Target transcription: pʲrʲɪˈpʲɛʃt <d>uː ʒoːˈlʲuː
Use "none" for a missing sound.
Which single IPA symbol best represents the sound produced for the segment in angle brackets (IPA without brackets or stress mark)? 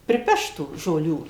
t